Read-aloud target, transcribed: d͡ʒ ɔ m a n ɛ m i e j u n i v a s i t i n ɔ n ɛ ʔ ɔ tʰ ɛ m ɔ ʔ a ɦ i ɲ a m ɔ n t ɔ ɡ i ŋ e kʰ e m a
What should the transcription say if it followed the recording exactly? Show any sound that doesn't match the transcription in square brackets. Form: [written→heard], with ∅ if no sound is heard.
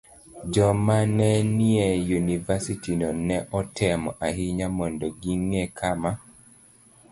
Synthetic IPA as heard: d͡ʒ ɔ m a n ɛ [m→n] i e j u n i v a s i t i n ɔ n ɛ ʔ ɔ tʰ ɛ m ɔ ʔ a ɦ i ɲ a m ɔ n [t→d] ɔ ɡ i ŋ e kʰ [e→a] m a